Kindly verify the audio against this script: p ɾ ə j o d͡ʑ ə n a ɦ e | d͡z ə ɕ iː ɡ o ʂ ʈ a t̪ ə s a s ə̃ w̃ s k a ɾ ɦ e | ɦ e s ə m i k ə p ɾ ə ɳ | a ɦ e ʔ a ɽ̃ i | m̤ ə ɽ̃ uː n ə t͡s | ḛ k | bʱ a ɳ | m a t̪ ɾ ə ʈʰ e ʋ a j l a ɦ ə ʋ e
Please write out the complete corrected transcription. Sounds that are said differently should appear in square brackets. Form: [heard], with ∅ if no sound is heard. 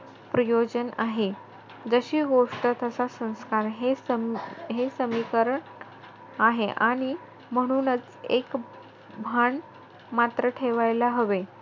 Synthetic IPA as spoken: p ɾ ə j o d͡ʑ ə n a ɦ e | d͡z ə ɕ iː ɡ o ʂ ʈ [ə] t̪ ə s a s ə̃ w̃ s k a ɾ ɦ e | ɦ e s ə m i k ə [∅] ɾ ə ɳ | a ɦ e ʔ a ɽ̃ i | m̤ ə ɽ̃ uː n ə t͡s | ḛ k | bʱ a ɳ | m a t̪ ɾ ə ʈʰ e ʋ a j l a ɦ ə ʋ e